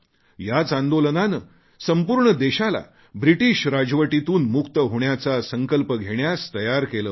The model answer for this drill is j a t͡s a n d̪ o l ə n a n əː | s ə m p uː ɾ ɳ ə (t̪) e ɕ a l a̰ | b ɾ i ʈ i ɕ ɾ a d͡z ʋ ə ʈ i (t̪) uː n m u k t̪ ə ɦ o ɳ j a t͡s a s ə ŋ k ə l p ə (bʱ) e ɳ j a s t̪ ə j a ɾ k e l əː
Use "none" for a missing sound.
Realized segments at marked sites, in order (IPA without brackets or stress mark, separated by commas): d̪, t̪, ɡʱ